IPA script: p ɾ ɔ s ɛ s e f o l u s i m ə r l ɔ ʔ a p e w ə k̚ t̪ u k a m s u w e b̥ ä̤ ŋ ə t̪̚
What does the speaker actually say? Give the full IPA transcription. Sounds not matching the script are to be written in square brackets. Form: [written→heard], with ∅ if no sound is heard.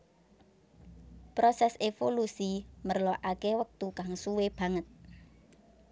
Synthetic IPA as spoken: p ɾ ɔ s ɛ s e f o l u s i m ə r l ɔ ʔ a [p→k] e w ə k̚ t̪ u k a [m→ŋ] s u w e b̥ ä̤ ŋ ə t̪̚